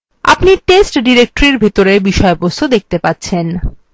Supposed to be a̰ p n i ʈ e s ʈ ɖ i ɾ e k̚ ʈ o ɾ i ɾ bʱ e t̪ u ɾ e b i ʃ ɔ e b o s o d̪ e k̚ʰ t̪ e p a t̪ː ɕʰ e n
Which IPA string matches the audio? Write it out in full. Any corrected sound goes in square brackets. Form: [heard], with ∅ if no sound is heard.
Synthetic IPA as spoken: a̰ p n i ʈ e s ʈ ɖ i ɾ e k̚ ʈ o ɾ i ɾ bʱ e t̪ [o] ɾ e b i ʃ ɔ e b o s o d̪ e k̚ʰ t̪ e p a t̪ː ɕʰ e n